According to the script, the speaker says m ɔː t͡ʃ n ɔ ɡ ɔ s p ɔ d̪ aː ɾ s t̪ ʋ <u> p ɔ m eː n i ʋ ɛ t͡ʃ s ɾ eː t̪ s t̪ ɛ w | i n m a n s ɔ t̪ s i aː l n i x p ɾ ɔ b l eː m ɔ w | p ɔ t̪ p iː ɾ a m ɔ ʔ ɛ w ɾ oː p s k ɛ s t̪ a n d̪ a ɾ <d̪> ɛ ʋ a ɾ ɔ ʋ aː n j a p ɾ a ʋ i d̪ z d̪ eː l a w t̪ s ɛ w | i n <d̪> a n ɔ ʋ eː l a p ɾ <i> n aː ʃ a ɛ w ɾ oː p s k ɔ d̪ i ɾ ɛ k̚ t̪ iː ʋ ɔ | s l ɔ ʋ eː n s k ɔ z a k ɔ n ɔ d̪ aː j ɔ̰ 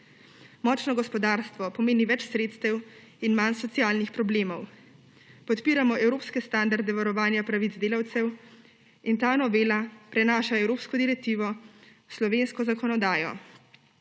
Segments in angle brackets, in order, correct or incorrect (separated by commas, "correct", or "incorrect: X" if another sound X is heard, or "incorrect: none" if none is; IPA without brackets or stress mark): incorrect: ɔ, correct, incorrect: t̪, incorrect: ɛ